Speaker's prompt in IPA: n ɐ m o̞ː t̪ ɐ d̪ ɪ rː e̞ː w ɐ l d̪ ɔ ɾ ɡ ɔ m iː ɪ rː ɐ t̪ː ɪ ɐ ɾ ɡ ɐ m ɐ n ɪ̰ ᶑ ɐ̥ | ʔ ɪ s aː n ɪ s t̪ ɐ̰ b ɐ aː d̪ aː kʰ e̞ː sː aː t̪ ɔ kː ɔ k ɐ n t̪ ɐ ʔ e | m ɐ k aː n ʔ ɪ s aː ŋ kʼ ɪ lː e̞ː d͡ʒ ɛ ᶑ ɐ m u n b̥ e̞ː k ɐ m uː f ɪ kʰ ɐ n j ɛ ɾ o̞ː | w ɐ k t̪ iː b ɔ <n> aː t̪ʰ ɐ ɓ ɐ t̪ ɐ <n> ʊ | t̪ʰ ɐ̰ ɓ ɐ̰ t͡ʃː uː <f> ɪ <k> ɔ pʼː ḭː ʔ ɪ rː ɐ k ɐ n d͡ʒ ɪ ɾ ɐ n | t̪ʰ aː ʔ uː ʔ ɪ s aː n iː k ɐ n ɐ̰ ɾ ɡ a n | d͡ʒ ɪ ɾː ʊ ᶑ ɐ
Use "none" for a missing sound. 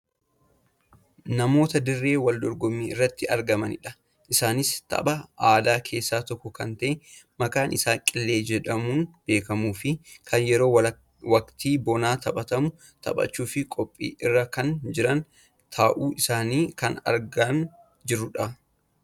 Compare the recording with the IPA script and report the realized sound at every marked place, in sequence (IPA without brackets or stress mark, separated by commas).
n, m, f, kʼ